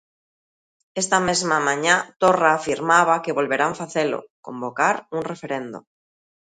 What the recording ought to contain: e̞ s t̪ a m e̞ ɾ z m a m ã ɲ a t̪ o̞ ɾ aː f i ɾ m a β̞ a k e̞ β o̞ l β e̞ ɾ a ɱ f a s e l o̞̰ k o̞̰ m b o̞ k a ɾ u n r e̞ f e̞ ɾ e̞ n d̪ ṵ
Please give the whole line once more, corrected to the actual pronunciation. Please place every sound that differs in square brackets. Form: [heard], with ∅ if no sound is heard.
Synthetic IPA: e̞ s t̪ a m e̞ [∅] z m a m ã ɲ a t̪ o̞ [r] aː f i ɾ m a β̞ a k e̞ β o̞ l β e̞ ɾ a ɱ f a [θ] e l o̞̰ k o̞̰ m b o̞ k a ɾ u n r e̞ f e̞ ɾ e̞ n d̪ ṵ